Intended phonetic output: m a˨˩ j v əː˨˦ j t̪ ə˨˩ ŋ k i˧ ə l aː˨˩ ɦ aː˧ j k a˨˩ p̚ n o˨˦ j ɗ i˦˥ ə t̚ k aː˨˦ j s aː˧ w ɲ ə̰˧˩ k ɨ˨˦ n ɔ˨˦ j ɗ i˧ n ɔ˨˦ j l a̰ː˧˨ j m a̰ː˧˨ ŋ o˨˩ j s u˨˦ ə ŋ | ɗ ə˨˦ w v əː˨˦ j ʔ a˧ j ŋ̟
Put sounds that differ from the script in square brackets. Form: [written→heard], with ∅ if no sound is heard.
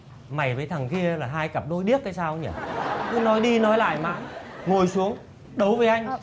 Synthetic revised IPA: m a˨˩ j v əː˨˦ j [t̪→t̪ʰ] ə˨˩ ŋ k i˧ ə l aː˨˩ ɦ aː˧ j k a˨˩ p̚ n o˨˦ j ɗ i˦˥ ə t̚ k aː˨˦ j s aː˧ w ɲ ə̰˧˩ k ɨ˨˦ n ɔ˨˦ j ɗ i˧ n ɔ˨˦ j l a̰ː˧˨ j m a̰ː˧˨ ŋ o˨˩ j s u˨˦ ə ŋ | ɗ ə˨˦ w v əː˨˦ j ʔ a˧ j ŋ̟